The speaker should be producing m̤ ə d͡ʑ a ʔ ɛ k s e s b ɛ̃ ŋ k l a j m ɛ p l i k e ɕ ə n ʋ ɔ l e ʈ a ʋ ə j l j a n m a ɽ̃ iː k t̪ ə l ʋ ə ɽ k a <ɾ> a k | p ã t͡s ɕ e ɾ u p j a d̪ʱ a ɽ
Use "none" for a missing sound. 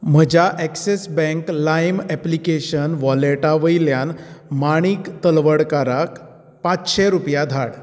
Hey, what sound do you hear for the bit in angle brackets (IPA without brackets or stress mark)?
ɾ